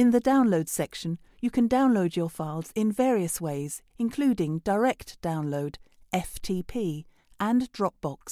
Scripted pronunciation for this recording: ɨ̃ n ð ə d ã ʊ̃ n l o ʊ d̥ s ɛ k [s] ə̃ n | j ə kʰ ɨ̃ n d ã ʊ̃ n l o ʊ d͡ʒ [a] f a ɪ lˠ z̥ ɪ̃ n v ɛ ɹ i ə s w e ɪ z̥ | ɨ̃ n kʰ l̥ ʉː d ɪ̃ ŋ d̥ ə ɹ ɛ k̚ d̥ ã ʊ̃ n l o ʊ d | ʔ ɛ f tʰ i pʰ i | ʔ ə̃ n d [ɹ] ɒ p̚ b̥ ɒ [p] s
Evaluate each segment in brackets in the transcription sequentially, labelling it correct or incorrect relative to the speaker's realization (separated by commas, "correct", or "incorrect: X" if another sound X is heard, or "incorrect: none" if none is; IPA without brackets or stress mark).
incorrect: ʃ, incorrect: ə, correct, incorrect: k